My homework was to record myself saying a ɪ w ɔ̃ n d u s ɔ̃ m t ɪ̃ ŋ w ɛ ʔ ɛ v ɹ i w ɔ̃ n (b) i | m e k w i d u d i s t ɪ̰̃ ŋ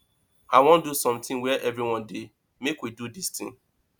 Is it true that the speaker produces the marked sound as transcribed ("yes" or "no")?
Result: no